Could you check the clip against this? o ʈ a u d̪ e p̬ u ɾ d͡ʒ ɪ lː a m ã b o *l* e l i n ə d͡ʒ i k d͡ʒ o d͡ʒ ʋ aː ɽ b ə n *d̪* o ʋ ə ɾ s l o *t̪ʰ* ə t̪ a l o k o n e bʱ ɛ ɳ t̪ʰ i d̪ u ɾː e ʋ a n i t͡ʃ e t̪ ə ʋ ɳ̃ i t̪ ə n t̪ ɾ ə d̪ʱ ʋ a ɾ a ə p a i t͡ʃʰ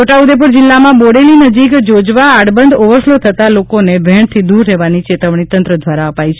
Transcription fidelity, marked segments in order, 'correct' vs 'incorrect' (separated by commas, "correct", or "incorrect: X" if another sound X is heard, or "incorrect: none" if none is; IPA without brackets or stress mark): incorrect: ɽ, correct, correct